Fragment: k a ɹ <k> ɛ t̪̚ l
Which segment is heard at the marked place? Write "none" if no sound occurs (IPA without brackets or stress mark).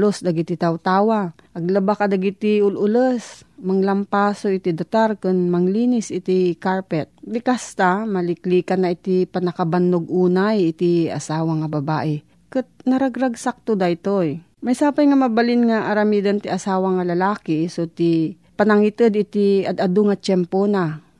p